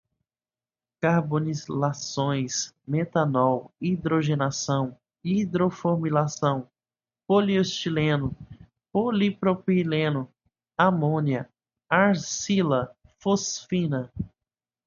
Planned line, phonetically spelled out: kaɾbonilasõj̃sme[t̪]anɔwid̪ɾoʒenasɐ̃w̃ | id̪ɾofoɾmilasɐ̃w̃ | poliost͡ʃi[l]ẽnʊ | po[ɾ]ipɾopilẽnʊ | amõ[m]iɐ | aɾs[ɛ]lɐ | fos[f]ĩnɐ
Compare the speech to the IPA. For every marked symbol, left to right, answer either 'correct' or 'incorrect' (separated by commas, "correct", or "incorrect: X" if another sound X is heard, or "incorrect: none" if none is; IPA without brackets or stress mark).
correct, correct, incorrect: l, incorrect: n, incorrect: i, correct